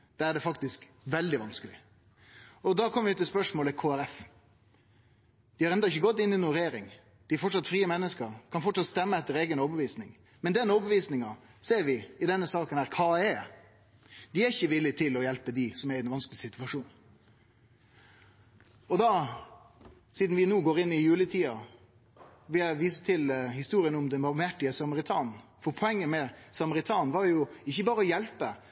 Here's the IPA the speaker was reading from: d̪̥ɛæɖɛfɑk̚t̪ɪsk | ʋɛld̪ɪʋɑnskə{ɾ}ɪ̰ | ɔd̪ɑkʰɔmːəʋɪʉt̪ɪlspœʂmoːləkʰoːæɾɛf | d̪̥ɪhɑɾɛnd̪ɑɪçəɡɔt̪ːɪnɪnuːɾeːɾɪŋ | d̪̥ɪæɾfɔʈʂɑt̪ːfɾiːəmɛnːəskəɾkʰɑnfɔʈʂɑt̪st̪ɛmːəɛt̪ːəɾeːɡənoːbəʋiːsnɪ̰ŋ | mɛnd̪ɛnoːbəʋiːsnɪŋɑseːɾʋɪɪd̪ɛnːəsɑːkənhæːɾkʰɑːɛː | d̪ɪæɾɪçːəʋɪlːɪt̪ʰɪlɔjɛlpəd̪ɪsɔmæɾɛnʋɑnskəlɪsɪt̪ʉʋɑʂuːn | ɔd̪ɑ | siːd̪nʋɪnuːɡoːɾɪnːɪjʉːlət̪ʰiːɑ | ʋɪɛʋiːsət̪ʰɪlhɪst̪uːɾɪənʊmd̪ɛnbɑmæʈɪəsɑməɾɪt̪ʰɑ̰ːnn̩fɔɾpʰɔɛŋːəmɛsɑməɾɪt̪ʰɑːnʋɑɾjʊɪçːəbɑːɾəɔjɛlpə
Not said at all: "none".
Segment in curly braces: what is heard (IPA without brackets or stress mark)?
l